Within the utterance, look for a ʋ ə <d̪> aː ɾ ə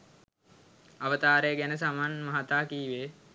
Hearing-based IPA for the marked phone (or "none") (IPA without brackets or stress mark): t̪